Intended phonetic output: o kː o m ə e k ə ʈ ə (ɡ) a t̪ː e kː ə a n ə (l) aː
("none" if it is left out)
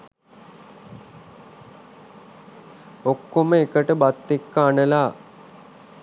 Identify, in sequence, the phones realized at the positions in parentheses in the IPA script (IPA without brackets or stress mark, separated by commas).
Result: b, l